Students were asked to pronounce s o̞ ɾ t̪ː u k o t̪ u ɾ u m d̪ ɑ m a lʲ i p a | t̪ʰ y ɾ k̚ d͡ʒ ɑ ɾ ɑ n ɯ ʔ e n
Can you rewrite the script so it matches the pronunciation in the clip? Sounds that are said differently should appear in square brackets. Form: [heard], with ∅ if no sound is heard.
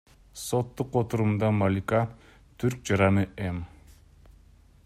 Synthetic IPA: s o̞ [∅] t̪ː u [q] o t̪ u ɾ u m d̪ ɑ m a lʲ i [k] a | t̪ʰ y ɾ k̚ d͡ʒ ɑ ɾ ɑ n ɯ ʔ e [m]